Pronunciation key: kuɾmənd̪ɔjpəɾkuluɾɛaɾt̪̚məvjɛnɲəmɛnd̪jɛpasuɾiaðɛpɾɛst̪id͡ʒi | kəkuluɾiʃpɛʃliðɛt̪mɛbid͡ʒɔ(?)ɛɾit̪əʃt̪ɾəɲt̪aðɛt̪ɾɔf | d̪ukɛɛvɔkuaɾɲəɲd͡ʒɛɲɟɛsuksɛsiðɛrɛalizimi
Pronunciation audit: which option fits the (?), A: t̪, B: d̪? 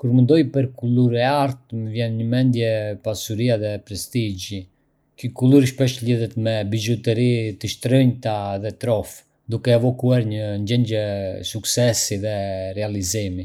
A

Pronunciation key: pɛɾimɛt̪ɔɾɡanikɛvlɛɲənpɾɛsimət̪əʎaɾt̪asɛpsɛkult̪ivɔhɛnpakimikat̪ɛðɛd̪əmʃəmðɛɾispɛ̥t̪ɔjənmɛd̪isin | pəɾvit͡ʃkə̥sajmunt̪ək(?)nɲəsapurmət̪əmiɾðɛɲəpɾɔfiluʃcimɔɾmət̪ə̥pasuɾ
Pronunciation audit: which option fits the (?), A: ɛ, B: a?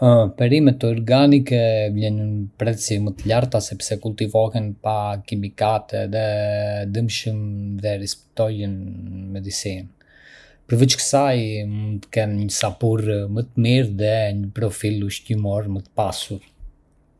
A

